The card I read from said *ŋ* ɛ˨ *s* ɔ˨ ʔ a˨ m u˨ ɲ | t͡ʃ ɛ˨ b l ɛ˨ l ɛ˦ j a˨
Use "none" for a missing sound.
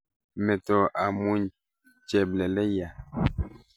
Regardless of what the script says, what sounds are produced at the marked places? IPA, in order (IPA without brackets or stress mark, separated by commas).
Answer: m, t